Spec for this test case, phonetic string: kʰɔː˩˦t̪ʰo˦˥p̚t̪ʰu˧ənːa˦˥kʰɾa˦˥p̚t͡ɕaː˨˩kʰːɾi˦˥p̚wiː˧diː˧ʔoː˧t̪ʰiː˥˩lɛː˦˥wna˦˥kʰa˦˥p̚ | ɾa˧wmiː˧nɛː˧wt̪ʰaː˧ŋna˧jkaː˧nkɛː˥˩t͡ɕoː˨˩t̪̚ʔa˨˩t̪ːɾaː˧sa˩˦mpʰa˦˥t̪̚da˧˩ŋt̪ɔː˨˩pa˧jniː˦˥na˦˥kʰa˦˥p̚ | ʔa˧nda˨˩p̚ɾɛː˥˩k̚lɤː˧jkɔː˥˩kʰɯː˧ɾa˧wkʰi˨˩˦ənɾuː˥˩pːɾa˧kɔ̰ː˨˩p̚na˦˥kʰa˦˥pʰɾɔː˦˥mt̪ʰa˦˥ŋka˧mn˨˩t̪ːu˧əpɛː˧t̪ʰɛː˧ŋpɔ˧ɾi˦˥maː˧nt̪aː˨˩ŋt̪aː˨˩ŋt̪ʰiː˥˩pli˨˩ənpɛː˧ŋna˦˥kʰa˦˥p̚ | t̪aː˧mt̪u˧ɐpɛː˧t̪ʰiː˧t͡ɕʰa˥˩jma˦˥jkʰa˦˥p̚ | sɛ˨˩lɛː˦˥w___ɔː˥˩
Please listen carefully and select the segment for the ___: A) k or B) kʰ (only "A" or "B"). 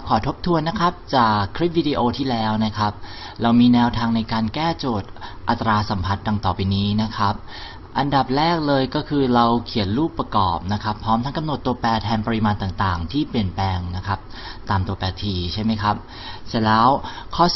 B